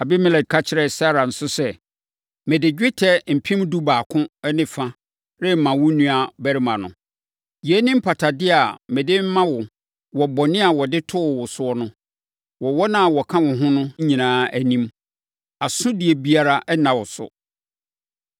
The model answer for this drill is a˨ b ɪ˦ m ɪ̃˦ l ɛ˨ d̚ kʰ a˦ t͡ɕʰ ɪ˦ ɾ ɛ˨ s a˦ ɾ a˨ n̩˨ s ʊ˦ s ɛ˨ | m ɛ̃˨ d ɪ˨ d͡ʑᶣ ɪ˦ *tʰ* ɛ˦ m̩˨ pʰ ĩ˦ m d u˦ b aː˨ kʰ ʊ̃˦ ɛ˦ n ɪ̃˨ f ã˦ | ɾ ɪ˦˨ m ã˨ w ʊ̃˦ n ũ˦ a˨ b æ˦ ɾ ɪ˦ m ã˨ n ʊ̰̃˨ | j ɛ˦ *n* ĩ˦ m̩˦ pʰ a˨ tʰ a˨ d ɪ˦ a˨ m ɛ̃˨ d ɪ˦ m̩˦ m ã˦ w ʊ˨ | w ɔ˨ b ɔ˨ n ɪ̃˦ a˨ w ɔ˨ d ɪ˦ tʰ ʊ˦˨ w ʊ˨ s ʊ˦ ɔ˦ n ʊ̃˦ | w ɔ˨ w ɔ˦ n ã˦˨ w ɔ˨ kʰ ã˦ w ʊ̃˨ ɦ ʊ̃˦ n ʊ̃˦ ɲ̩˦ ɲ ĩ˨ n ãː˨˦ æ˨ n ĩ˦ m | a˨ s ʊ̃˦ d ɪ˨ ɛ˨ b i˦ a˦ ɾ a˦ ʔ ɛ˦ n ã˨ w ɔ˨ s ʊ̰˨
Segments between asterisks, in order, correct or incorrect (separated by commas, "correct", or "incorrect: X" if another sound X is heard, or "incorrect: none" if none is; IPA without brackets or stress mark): correct, correct